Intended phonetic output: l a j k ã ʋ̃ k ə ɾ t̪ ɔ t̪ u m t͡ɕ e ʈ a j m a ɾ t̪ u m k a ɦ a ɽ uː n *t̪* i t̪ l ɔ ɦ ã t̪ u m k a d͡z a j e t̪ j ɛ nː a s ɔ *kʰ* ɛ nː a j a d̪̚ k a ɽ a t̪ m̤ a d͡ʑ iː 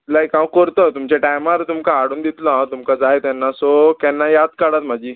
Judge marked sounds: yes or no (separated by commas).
no, no